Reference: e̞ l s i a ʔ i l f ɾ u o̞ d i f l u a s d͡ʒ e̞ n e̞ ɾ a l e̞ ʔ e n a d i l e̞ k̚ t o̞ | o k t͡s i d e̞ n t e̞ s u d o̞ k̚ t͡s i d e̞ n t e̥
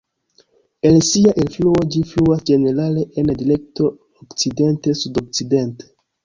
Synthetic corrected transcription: e̞ l s i a ʔ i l f l u o̞ d͡ʒ i f l u a s d͡ʒ e̞ n e̞ ɾ a l e̞ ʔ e n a d i l e̞ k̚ t o̞ | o k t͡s i d e̞ n t e̞ s u d o̞ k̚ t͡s i d e̞ n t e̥